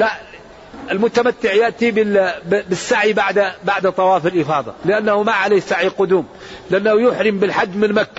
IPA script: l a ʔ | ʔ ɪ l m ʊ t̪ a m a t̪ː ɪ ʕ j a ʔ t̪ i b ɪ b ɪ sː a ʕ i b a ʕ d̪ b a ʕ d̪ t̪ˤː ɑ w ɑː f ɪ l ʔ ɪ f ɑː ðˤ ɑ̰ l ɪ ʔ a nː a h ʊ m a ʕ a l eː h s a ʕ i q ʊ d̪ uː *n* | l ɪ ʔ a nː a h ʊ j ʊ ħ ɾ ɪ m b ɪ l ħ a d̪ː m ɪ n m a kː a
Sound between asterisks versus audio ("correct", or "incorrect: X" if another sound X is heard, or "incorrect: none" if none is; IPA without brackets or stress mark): incorrect: m